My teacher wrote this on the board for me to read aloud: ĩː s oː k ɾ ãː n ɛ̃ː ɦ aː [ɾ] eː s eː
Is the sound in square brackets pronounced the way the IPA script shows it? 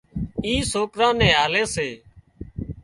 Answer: no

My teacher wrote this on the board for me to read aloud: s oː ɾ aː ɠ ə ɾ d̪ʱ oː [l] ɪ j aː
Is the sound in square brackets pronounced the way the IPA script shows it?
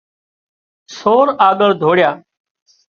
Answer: no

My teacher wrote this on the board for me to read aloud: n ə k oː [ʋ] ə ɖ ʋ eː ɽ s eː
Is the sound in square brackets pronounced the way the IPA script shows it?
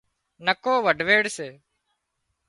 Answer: yes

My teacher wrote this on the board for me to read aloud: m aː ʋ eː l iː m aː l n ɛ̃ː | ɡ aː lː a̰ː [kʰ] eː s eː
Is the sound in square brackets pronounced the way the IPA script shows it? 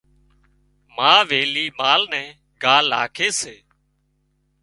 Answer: yes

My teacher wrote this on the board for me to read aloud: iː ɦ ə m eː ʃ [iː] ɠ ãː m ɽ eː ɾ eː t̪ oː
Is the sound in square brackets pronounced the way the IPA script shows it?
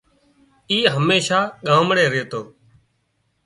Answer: no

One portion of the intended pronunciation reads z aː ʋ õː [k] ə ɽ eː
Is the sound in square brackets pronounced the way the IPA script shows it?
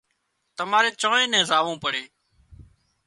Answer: no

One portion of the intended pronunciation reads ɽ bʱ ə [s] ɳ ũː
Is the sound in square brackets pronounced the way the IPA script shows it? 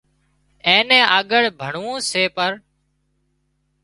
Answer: no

